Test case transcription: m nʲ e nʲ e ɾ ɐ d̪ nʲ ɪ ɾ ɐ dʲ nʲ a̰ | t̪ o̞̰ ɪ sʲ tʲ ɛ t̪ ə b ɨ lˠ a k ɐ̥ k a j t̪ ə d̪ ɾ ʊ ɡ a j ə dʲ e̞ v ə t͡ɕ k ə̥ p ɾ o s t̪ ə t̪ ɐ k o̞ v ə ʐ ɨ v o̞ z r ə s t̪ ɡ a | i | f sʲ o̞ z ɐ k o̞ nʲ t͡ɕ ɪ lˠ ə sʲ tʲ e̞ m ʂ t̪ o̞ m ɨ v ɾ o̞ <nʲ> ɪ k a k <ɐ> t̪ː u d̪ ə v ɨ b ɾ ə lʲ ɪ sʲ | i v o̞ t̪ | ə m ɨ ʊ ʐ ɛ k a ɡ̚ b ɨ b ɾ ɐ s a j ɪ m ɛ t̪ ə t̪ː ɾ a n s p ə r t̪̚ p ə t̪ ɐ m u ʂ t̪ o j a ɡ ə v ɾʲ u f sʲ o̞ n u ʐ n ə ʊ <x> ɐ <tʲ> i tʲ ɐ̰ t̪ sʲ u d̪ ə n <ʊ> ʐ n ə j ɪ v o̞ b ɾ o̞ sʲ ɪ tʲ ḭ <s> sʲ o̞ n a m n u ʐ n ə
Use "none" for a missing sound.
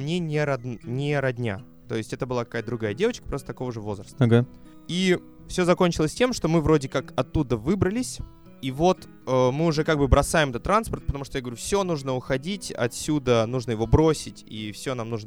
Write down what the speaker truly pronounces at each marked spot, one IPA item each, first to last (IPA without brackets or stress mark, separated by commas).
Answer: dʲ, ɐ, x, dʲ, u, f